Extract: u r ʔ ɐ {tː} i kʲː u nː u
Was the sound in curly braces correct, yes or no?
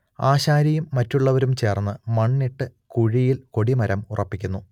no